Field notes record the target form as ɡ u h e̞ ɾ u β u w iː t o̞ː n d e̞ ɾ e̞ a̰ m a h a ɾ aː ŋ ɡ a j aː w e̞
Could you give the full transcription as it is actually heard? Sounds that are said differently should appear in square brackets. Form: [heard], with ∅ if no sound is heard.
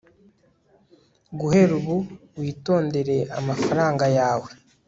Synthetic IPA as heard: ɡ u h e̞ ɾ u β u w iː t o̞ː n d e̞ ɾ e̞ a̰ m a [f] a ɾ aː ŋ ɡ a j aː w e̞